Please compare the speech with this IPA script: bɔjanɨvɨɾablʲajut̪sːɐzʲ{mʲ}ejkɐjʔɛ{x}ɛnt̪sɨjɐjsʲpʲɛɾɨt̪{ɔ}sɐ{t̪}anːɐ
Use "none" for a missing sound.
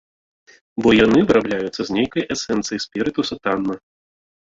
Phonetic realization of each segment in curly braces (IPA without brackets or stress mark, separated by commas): nʲ, s, u, t̪